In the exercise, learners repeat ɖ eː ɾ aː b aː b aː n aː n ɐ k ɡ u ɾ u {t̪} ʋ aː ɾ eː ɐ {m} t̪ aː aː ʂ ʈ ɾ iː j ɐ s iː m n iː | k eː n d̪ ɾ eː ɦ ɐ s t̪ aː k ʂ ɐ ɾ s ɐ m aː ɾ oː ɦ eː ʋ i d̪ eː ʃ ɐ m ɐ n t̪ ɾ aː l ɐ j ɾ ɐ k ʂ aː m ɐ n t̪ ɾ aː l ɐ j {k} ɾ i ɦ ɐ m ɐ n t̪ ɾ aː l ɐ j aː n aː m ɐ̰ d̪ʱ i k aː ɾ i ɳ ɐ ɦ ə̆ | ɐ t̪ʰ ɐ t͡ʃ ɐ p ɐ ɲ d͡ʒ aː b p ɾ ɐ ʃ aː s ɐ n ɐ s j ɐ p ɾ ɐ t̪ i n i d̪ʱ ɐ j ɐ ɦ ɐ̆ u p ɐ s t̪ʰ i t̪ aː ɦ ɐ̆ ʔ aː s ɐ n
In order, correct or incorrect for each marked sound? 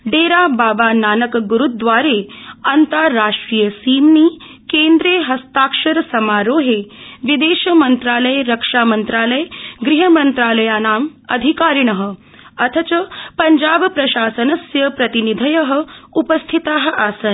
incorrect: d̪, incorrect: n, incorrect: ɡ

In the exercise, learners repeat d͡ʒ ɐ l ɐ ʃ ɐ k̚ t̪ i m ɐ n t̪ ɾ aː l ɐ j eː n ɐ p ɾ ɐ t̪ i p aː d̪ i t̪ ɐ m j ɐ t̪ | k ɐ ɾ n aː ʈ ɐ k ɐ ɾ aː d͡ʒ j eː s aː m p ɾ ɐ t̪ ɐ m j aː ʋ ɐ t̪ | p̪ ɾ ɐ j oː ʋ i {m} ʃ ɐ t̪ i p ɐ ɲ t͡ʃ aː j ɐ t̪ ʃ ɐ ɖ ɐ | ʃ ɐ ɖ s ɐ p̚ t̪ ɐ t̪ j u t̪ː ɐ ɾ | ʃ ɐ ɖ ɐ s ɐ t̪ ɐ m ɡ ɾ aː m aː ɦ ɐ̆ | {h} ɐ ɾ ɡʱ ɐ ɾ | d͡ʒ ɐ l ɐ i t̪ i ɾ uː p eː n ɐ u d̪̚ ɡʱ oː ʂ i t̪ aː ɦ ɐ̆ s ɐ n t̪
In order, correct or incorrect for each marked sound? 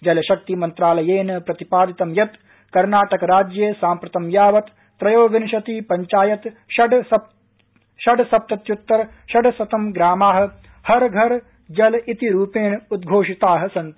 incorrect: n, correct

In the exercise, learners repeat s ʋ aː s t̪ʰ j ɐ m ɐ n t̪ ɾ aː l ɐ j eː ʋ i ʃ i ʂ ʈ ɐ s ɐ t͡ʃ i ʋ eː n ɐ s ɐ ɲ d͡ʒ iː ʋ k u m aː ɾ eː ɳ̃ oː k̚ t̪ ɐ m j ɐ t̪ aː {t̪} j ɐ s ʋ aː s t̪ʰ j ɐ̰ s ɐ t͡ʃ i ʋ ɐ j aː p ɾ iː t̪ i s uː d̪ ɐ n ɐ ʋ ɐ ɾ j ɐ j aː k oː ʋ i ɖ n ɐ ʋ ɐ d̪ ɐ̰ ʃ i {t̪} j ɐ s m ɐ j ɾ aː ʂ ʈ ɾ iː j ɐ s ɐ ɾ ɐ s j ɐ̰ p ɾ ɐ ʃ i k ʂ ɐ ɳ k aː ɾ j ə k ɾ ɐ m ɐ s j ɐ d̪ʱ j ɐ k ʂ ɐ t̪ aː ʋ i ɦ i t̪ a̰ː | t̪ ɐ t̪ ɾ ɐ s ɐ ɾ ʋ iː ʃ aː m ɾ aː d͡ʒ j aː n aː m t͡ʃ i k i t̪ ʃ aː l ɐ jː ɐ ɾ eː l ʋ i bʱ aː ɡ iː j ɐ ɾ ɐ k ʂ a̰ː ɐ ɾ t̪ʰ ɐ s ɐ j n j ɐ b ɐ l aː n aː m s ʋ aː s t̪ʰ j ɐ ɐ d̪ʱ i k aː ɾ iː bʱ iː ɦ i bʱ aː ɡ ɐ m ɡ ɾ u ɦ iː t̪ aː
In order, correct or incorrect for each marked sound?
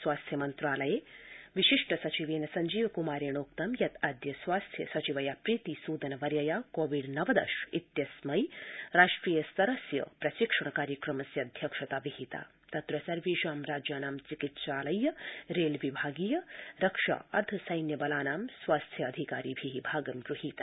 incorrect: d̪, correct

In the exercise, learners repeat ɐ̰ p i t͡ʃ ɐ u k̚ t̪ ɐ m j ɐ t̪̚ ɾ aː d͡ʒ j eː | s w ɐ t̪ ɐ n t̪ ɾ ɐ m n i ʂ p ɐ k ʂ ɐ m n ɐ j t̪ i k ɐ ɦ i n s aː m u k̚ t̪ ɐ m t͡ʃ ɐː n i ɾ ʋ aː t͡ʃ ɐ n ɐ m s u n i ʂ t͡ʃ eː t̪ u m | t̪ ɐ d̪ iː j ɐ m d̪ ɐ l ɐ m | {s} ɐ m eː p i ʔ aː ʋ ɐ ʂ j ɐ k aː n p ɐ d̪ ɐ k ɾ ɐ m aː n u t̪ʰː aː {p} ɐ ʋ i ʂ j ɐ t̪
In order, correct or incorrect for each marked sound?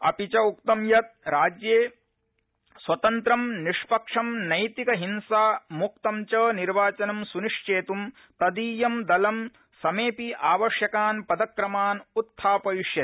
correct, correct

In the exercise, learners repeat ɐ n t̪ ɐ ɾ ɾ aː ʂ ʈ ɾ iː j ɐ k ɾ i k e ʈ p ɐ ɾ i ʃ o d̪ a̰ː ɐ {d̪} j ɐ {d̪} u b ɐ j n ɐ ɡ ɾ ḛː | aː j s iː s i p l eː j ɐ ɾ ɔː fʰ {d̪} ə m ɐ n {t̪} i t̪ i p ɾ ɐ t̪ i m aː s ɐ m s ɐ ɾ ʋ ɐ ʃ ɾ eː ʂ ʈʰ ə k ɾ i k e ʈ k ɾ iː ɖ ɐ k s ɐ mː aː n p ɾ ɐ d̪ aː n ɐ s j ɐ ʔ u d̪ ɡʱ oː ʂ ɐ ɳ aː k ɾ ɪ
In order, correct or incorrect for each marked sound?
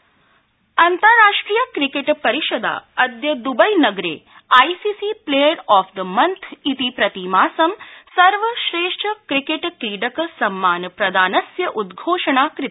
correct, correct, correct, incorrect: t̪ʰ

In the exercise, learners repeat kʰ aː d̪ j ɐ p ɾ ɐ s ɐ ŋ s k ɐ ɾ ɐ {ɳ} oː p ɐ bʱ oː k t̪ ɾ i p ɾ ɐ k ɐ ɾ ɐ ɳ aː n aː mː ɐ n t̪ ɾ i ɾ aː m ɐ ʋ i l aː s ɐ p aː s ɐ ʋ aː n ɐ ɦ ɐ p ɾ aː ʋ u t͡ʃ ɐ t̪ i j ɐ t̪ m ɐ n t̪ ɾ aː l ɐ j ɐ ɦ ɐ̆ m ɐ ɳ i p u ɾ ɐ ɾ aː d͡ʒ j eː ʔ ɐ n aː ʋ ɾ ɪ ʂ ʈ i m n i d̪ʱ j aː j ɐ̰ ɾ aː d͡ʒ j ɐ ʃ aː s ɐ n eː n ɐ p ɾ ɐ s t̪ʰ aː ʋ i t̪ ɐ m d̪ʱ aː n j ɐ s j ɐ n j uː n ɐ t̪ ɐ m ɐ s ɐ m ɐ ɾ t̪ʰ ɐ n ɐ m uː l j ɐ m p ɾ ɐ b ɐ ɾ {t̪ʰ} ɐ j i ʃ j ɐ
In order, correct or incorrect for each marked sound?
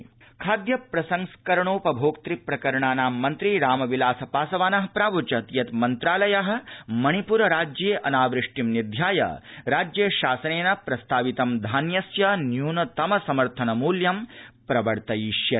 correct, incorrect: t̪

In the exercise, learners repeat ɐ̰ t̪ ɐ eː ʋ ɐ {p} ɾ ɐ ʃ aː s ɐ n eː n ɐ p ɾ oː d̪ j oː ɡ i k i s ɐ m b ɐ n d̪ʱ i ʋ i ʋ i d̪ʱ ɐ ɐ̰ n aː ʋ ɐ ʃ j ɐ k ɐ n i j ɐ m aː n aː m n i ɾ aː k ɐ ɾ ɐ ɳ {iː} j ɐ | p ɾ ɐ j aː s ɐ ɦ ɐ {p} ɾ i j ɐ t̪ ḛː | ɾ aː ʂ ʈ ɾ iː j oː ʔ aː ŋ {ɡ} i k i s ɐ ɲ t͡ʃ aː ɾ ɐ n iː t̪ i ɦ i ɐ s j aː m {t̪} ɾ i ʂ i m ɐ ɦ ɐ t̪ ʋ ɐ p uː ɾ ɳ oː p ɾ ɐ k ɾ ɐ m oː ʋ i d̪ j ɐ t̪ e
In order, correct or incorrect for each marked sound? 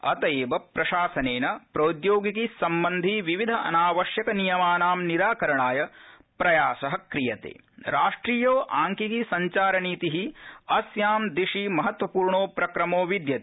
correct, incorrect: aː, incorrect: k, incorrect: k, incorrect: d̪

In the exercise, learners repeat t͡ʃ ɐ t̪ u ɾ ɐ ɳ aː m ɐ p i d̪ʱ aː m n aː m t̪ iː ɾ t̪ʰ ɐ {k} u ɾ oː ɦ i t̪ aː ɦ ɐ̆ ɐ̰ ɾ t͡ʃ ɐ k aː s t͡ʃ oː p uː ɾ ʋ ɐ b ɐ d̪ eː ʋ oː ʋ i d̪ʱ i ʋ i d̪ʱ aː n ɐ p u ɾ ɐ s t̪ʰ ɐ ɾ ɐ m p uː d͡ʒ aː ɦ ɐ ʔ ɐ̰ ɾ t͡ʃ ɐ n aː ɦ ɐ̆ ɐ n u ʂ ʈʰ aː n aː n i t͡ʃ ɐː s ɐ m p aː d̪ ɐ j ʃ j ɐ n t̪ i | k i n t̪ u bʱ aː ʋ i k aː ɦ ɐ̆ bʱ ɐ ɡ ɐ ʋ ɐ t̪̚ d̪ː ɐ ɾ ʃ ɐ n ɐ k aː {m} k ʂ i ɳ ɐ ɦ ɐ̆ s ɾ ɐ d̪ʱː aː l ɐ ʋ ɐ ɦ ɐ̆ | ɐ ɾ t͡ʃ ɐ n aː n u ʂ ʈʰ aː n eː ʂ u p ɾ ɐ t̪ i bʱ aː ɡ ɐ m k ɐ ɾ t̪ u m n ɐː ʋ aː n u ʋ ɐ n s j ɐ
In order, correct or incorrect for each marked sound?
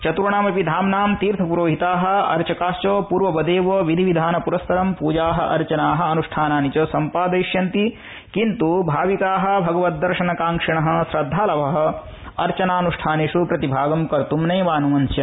incorrect: p, incorrect: ŋ

